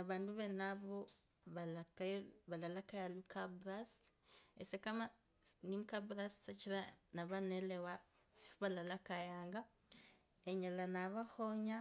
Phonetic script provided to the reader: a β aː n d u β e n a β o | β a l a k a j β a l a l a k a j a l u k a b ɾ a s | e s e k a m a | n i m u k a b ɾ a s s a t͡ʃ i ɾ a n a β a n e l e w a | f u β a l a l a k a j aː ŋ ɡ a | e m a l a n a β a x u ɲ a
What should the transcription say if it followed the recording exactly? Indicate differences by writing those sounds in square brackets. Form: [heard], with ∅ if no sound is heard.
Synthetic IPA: a β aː n d u β e n a β o | β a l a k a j β a l a l a k a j a l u k a b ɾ a s | e s e k a m a | n i m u k a b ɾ a s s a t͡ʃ i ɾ a n a β a n e l e w a | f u β a l a l a k a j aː ŋ ɡ a | e [ɲ] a l a n a β a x [o] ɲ a